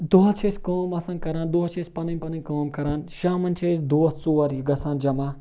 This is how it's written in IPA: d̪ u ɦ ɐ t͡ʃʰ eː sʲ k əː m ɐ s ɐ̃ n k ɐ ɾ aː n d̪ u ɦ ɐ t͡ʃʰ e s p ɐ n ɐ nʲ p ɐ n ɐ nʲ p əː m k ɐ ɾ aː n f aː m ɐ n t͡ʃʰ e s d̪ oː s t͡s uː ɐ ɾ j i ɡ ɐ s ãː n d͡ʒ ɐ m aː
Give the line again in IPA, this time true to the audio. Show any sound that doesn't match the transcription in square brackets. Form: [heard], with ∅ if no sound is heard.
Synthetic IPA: d̪ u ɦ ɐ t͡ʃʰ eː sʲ k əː m ɐ s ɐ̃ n k ɐ ɾ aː n d̪ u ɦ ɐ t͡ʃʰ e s p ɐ n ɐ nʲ p ɐ n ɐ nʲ [k] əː m k ɐ ɾ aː n [ʃ] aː m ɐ n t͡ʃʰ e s d̪ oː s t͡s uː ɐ ɾ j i ɡ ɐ s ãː n d͡ʒ ɐ m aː

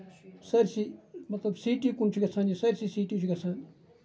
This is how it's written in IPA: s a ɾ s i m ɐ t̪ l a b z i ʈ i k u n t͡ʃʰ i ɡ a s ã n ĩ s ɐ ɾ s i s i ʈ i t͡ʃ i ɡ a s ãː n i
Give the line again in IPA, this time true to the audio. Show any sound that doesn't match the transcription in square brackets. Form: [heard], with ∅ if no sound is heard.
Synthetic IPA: s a ɾ s i m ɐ t̪ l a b [s] i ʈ i k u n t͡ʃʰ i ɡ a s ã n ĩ s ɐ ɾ s i s i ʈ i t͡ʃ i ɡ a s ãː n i

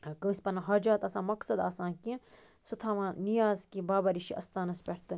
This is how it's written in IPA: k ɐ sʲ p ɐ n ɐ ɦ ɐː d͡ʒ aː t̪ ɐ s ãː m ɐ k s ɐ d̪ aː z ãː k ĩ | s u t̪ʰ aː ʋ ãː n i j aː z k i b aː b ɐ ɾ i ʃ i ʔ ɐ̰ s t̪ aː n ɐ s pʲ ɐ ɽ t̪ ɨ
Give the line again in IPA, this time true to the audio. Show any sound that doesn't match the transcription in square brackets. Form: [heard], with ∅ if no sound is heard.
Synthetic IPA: k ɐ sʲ p ɐ n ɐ ɦ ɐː d͡ʒ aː t̪ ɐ s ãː m ɐ k s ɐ d̪ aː [s] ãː k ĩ | s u t̪ʰ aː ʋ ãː n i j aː z k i b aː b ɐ ɾ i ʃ i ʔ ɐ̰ s t̪ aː n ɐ s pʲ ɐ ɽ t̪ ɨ

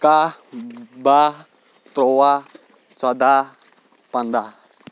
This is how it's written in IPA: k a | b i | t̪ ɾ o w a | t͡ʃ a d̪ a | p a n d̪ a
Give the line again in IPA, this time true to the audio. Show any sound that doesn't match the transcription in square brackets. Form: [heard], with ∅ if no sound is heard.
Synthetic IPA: k a | b [a] | t̪ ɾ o w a | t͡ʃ a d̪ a | p a n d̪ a

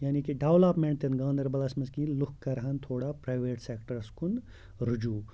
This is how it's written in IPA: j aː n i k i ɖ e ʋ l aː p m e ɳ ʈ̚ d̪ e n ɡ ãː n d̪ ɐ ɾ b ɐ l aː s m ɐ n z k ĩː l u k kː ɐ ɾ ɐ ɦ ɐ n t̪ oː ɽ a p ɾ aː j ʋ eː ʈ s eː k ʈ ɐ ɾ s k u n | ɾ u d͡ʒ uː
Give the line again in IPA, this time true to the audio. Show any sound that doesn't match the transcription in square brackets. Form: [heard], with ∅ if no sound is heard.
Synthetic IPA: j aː n i k i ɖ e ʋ l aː p m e ɳ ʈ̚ [t̪] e n ɡ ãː n d̪ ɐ ɾ b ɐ l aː s m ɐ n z k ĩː l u k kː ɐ ɾ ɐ ɦ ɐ n [t̪ʰ] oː ɽ a p ɾ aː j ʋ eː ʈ s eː k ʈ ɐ ɾ s k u n | ɾ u d͡ʒ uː

